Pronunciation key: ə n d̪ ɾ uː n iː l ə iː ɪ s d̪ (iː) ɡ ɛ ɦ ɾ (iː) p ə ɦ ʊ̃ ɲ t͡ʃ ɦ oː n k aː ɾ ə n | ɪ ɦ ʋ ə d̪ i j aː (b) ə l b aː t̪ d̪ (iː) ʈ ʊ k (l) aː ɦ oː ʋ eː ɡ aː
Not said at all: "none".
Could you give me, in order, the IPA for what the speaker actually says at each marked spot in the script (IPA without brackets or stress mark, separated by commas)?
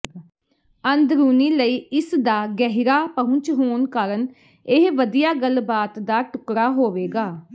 aː, aː, ɡ, aː, ɾ